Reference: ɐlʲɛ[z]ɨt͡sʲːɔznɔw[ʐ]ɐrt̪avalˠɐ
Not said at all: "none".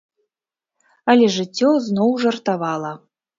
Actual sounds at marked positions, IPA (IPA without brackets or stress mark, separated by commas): ʐ, ʐ